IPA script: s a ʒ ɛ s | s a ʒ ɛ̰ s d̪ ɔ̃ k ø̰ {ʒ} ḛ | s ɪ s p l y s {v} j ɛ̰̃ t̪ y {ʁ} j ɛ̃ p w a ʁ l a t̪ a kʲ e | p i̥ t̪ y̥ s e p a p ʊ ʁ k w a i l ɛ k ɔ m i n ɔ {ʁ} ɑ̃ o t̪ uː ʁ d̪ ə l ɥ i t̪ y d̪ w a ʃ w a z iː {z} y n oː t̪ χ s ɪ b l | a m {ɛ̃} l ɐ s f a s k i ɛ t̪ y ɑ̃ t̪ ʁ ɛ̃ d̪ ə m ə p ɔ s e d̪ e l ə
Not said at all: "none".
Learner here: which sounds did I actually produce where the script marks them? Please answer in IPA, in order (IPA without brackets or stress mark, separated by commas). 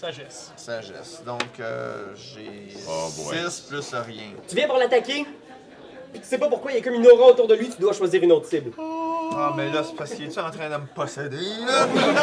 ʒ, ʁ, v, ʁ, ʁ, ɛ